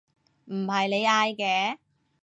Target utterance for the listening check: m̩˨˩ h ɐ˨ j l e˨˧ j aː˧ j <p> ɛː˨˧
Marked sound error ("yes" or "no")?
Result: yes